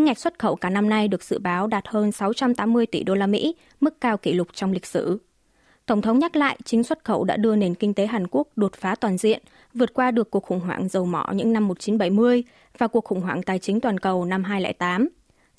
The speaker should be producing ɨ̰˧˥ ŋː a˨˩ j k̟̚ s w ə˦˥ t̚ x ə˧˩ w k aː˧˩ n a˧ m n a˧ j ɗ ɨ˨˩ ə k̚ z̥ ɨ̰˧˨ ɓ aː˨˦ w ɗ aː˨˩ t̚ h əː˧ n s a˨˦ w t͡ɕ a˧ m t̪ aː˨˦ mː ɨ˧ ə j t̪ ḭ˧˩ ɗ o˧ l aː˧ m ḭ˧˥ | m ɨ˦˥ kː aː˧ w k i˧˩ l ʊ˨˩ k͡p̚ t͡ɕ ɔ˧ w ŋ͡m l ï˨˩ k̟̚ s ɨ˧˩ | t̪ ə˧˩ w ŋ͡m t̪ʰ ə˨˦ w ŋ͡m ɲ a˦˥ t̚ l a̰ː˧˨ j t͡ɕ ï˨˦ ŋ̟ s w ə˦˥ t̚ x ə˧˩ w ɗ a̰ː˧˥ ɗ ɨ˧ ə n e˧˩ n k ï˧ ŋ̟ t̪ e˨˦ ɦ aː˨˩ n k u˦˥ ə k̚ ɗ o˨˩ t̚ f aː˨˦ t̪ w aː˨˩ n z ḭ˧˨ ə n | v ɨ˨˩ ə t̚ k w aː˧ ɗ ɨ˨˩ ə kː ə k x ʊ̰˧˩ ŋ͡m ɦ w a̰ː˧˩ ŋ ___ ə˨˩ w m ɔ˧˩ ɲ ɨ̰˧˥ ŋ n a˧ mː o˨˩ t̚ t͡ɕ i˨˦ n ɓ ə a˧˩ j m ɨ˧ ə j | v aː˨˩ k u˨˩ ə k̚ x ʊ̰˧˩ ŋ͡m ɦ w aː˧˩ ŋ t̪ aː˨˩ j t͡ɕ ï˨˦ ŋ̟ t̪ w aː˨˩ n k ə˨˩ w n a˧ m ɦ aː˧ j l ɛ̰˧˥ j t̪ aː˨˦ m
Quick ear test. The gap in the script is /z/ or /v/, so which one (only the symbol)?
z